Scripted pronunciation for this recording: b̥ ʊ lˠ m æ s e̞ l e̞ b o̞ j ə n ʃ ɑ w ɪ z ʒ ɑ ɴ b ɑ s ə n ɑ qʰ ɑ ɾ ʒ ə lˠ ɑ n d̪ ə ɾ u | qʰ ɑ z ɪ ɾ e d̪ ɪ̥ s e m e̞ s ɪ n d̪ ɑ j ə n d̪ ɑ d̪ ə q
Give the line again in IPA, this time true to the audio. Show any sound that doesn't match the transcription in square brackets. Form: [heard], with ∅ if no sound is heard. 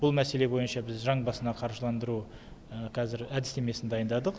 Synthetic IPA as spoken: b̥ ʊ lˠ m æ s e̞ l e̞ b o̞ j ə n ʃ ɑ [b] ɪ z ʒ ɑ ɴ b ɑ s ə n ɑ qʰ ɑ ɾ ʒ ə lˠ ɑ n d̪ ə ɾ u | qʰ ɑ z ɪ ɾ [æ] d̪ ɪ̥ s e m e̞ s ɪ n d̪ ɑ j ə n d̪ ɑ d̪ ə q

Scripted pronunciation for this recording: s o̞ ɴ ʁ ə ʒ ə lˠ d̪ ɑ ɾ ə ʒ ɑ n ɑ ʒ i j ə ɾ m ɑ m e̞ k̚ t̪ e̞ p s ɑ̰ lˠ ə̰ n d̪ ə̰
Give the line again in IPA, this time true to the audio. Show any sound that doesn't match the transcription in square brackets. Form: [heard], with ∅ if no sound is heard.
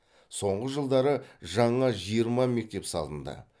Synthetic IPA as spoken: s o̞ ɴ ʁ ə ʒ ə lˠ d̪ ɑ ɾ ə ʒ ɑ [ɴ] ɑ ʒ i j ə ɾ m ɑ m e̞ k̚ t̪ e̞ p s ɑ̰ lˠ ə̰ n d̪ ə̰

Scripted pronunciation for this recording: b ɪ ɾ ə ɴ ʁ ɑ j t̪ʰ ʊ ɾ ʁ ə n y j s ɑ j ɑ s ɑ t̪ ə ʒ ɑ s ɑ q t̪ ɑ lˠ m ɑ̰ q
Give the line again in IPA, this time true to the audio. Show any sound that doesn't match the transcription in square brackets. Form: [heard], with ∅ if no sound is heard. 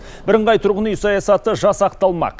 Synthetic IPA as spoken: b ɪ ɾ ə ɴ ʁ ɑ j t̪ʰ ʊ ɾ ʁ ə n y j s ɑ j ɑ s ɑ t̪ ə ʒ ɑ s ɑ q t̪ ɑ lˠ m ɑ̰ q

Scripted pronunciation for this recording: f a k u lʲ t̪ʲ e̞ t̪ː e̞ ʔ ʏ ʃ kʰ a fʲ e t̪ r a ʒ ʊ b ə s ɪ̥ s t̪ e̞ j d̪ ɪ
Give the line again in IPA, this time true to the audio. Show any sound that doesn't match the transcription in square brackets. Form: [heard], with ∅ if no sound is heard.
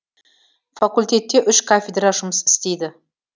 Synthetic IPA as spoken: f a k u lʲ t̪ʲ e̞ t̪ː e̞ ʔ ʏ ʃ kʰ a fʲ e [d̪] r a ʒ ʊ [m] ə s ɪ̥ s t̪ e̞ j d̪ ɪ

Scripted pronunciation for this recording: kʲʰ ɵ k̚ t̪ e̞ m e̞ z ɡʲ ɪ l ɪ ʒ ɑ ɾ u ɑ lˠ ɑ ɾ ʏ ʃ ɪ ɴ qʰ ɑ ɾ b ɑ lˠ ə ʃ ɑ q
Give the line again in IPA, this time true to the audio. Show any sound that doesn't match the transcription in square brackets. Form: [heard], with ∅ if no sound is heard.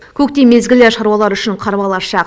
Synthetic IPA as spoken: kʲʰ ɵ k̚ t̪ e̞ m e̞ z ɡʲ ɪ l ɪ [ʃ] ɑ ɾ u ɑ lˠ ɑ ɾ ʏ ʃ ɪ ɴ qʰ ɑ ɾ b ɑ lˠ [ɑ] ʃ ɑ q

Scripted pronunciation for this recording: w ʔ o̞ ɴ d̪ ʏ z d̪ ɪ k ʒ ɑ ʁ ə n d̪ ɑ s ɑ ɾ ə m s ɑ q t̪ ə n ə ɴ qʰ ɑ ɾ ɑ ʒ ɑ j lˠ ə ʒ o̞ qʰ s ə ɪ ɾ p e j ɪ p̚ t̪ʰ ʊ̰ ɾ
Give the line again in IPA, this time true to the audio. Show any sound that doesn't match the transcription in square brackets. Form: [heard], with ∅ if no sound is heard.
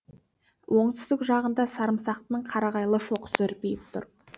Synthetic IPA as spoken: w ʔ o̞ ɴ [t̪] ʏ z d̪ ɪ k ʒ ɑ ʁ ə n d̪ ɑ s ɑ ɾ ə m s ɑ q t̪ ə n ə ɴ qʰ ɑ ɾ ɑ [ʁ] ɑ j lˠ ə [ʃ] o̞ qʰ s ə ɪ ɾ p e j ɪ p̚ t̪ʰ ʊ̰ ɾ

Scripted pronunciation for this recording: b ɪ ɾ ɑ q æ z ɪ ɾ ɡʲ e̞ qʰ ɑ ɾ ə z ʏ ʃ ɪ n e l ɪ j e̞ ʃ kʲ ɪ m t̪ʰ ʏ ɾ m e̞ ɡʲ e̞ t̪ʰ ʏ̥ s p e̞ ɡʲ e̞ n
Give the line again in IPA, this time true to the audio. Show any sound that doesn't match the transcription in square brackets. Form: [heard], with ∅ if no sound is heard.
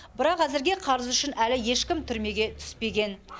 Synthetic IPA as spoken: b ɪ ɾ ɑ q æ z ɪ ɾ ɡʲ e̞ qʰ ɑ ɾ ə z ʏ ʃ ɪ n [æ] l ɪ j e̞ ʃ kʲ ɪ m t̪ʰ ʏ ɾ m e̞ ɡʲ e̞ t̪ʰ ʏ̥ s p e̞ ɡʲ e̞ n

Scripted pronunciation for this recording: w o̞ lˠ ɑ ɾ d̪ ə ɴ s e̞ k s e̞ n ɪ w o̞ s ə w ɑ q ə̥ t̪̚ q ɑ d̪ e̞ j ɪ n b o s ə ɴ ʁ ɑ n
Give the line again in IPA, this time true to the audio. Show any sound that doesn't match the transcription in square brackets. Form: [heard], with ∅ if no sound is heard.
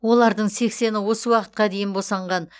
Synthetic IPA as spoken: w o̞ lˠ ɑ ɾ d̪ ə ɴ s e̞ k s e̞ n ɪ w o̞ s ə w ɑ q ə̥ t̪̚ q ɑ d̪ e̞ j ɪ n b o s [ɑ] ɴ ʁ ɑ n

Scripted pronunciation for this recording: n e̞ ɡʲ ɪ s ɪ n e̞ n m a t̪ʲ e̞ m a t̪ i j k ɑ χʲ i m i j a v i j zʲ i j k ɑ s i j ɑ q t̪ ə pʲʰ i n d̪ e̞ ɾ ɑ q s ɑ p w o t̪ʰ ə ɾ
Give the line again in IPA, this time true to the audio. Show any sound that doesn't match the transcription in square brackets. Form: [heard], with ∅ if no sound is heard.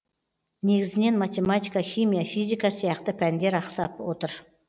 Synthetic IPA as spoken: n e̞ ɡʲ ɪ [z] ɪ n e̞ n m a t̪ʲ e̞ m a t̪ i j k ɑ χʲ i m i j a [f] i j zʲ i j k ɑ s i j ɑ q t̪ ə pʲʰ [æ] n d̪ e̞ ɾ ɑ q s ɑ p w o [t̪] ə ɾ

